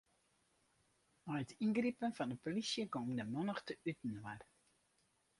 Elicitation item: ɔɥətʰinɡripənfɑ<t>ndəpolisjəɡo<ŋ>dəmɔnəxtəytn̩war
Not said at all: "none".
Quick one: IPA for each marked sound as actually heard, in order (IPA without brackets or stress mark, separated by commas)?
none, m